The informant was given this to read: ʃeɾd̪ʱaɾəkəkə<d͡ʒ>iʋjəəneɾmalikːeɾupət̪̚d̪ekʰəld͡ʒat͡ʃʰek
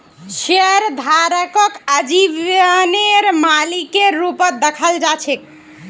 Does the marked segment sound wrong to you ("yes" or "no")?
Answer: no